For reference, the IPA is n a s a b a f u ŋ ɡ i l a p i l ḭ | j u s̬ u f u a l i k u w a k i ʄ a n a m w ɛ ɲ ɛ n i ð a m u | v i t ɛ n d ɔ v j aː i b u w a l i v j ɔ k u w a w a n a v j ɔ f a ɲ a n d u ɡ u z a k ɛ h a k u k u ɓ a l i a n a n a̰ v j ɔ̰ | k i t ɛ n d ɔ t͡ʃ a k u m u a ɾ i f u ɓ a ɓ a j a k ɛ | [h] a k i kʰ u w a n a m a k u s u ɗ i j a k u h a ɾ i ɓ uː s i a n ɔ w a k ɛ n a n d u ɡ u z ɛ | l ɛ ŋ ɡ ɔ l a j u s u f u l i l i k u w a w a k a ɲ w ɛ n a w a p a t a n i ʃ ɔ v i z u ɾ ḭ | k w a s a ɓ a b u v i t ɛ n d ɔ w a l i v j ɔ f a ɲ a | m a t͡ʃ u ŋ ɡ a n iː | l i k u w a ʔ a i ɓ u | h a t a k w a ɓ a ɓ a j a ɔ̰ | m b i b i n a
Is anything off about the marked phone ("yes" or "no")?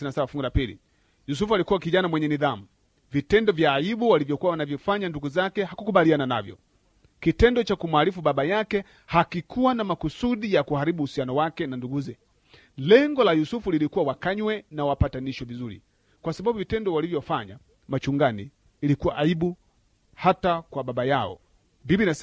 no